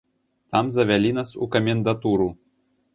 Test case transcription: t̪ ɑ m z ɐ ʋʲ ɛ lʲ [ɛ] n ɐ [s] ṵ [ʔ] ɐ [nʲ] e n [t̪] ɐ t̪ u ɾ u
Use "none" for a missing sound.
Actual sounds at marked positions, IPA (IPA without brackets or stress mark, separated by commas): i, s, k, mʲ, d̪